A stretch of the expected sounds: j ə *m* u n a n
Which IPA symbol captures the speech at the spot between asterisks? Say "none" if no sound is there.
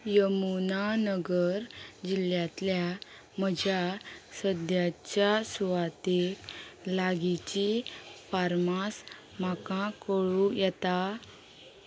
m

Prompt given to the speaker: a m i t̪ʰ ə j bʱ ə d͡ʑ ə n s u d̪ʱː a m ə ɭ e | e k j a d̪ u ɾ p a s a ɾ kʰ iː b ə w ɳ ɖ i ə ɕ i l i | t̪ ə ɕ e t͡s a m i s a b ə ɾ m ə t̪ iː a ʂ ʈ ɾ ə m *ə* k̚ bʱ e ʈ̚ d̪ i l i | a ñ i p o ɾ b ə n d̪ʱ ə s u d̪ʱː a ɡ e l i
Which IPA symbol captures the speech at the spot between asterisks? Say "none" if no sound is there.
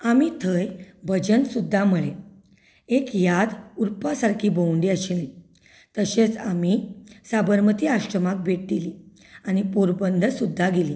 a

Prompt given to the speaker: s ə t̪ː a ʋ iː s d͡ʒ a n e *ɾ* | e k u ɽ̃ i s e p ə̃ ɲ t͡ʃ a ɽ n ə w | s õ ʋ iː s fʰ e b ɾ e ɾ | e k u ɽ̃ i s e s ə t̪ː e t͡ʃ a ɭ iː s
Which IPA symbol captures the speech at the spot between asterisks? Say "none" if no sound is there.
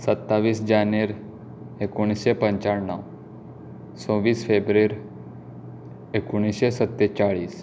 ɾ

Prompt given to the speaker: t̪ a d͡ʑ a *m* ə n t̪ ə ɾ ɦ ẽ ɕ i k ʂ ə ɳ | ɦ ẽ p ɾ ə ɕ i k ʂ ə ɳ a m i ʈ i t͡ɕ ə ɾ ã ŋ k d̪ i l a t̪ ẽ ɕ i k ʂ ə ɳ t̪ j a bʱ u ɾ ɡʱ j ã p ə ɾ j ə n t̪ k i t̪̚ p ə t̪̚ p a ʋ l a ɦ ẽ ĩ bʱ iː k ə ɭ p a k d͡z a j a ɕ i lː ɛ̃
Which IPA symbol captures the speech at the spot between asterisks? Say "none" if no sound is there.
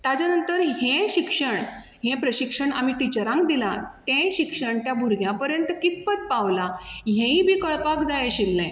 n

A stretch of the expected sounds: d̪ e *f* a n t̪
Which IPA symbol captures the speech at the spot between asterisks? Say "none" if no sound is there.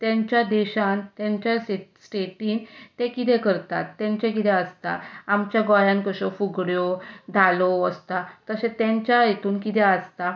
ɕ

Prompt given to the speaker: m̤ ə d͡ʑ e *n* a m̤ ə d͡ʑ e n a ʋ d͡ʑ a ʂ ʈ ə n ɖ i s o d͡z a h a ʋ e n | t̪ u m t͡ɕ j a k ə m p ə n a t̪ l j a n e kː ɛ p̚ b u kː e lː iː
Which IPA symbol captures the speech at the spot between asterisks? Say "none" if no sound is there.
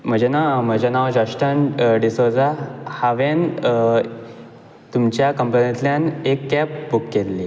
n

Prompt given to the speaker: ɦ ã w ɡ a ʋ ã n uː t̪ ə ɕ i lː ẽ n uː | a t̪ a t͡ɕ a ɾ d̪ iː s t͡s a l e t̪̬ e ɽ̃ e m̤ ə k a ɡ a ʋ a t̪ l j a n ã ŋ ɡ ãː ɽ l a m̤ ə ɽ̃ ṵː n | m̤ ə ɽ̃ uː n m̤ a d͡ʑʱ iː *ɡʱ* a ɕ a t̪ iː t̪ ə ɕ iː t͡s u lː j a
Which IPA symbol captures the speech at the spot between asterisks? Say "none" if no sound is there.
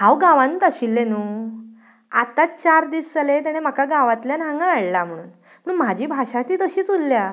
bʱ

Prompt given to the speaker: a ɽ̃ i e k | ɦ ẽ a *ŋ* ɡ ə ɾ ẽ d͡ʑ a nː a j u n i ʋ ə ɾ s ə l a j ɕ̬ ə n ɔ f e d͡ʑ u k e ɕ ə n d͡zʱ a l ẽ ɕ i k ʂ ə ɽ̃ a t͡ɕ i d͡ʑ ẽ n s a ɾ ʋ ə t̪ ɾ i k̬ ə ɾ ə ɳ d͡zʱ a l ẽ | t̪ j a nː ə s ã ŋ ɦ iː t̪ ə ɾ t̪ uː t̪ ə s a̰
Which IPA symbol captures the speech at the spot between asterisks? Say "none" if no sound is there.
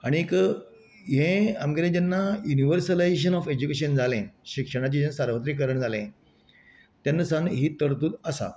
m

